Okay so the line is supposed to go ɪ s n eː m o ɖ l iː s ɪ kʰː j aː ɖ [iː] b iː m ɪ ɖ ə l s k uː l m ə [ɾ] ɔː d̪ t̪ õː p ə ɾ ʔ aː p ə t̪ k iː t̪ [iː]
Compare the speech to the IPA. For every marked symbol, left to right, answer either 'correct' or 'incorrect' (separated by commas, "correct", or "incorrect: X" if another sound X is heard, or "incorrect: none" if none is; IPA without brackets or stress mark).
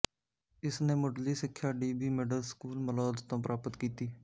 correct, incorrect: l, correct